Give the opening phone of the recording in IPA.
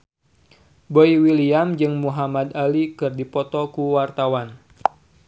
b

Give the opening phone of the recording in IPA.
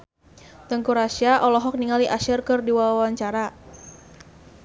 t̪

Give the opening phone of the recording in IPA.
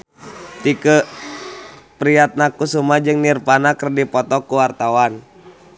t̪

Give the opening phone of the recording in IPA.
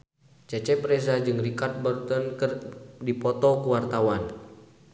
t͡ʃ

